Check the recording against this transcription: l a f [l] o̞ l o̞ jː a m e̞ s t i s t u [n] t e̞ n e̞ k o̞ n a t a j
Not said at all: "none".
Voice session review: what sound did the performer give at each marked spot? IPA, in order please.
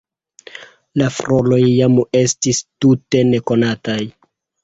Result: ɾ, none

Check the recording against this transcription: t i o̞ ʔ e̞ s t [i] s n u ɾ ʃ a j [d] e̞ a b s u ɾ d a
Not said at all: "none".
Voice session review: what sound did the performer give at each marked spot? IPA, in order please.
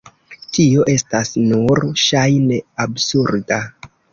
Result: a, n

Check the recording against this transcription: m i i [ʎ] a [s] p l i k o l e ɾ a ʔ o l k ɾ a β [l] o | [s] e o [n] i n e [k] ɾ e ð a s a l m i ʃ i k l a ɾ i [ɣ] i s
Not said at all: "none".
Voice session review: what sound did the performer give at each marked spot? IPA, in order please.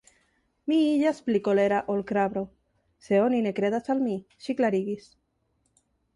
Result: ʎ, s, ɾ, s, n, k, ɣ

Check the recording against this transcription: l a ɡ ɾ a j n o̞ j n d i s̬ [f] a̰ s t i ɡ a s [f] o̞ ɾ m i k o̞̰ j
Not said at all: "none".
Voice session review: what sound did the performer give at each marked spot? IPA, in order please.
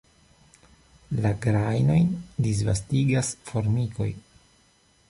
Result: v, f

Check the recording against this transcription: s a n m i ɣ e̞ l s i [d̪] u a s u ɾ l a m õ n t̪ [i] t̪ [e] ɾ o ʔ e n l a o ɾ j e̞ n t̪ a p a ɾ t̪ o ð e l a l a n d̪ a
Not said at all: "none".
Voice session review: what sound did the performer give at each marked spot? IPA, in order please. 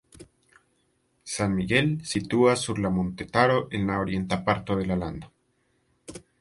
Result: t̪, e, a

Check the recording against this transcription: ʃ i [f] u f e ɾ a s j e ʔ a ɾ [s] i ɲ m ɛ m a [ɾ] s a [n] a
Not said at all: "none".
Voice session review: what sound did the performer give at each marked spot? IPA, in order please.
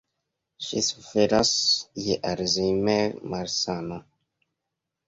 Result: s, z, ɾ, n

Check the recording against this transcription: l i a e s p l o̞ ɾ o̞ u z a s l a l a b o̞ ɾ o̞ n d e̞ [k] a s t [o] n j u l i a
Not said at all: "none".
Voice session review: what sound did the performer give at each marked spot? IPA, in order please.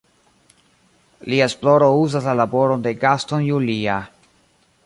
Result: ɡ, o

